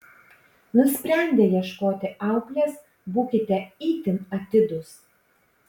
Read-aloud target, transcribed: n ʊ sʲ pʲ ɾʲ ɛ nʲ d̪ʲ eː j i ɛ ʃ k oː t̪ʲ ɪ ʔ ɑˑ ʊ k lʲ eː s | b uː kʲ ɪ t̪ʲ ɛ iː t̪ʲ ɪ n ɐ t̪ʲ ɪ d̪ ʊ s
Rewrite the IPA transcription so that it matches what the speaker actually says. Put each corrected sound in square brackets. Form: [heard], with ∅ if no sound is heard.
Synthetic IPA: n ʊ sʲ pʲ ɾʲ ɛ nʲ d̪ʲ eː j i ɛ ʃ k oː t̪ʲ ɪ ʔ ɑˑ ʊ k lʲ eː s | b uː kʲ ɪ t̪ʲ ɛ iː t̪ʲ ɪ n ɐ t̪ʲ ɪ d̪ ʊ s

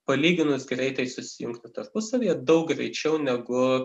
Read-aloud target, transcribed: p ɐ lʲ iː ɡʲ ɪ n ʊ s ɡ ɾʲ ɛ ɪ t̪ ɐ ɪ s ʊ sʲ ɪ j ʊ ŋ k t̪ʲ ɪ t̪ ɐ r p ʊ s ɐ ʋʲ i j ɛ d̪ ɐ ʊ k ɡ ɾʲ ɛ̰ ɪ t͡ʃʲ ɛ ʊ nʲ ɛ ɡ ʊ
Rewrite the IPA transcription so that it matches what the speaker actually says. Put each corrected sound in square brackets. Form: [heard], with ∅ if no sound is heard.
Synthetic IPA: p ɐ lʲ iː ɡʲ ɪ n ʊ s ɡ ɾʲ ɛ ɪ t̪ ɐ ɪ s ʊ sʲ ɪ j ʊ ŋ k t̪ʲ ɪ t̪ ɐ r p ʊ s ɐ ʋʲ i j ɛ d̪ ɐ ʊ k ɡ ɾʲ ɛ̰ ɪ t͡ʃʲ ɛ ʊ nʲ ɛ ɡ ʊ

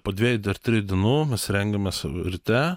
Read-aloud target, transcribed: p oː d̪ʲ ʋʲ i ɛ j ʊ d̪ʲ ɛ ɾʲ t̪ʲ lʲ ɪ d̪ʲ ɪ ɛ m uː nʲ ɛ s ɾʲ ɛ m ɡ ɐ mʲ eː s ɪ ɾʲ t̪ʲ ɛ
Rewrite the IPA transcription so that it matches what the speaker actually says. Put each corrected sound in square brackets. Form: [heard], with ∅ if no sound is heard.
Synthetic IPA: p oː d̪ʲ ʋʲ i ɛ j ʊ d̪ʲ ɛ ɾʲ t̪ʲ [ɾʲ] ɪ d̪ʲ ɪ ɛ [n] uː [mʲ] ɛ s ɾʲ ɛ [ŋ] ɡ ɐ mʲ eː s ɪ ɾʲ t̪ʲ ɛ

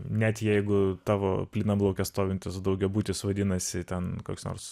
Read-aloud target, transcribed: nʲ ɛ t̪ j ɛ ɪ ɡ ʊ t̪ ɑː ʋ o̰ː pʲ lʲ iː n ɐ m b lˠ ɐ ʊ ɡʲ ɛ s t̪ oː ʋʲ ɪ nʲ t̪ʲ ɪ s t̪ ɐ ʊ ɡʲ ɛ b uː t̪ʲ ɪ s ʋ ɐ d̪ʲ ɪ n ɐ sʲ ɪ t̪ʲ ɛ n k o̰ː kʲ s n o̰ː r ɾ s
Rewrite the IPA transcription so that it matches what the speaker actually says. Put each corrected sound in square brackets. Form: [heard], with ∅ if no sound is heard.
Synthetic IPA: nʲ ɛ t̪ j ɛ ɪ ɡ ʊ t̪ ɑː ʋ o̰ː pʲ lʲ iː n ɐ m b lˠ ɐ ʊ [kʲ] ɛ s t̪ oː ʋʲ ɪ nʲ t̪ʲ ɪ s [d̪] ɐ ʊ ɡʲ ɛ b uː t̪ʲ ɪ s ʋ ɐ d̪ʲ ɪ n ɐ sʲ ɪ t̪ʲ ɛ n k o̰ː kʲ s n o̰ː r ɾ s

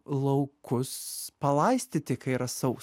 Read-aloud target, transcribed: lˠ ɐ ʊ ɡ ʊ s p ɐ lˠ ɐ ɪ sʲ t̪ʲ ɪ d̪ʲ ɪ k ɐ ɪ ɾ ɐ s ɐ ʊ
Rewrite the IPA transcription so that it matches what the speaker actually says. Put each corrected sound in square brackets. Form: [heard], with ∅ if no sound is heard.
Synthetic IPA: lˠ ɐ ʊ [k] ʊ s p ɐ lˠ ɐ ɪ sʲ t̪ʲ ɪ [t̪ʲ] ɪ k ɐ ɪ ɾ ɐ s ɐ ʊ

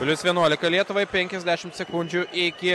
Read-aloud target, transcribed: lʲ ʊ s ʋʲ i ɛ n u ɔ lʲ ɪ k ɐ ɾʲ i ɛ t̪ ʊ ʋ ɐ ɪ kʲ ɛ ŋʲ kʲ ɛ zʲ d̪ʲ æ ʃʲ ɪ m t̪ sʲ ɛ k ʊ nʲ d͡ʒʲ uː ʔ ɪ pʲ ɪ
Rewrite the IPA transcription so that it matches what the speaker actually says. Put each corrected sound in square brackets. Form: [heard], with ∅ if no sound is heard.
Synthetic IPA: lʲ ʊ s ʋʲ i ɛ n u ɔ lʲ ɪ k ɐ [lʲ] i ɛ t̪ ʊ ʋ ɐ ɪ [pʲ] ɛ ŋʲ kʲ ɛ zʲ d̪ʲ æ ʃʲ ɪ m t̪ sʲ ɛ k ʊ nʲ d͡ʒʲ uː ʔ ɪ [kʲ] ɪ

